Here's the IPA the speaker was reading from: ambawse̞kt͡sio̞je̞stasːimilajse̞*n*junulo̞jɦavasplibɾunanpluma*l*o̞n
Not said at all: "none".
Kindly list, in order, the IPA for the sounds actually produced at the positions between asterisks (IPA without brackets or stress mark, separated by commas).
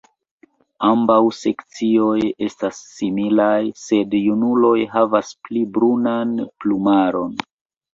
d, ɾ